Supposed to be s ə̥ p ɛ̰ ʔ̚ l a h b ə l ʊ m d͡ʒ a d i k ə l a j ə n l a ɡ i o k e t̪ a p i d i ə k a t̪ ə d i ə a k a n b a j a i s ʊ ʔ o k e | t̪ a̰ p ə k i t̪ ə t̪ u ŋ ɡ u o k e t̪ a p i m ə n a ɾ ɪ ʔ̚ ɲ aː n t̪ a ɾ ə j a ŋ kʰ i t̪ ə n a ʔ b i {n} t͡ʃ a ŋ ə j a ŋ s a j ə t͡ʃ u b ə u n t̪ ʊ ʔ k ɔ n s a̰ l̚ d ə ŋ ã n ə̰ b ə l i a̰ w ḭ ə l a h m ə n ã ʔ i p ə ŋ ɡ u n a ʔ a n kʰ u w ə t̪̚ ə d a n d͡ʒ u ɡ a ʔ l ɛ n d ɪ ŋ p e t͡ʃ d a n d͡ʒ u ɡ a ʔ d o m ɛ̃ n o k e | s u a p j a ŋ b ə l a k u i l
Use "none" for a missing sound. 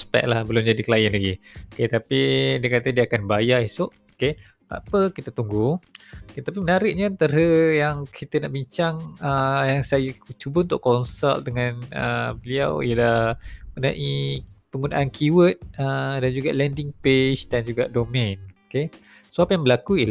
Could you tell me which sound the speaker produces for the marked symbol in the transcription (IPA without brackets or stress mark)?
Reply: ɲ